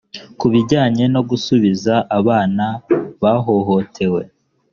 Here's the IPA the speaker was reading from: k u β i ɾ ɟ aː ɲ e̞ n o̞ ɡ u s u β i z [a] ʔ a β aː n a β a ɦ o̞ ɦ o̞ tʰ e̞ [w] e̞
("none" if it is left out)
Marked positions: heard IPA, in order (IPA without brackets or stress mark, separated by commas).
a, w